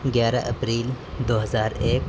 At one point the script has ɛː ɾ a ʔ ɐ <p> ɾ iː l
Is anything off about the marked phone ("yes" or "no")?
no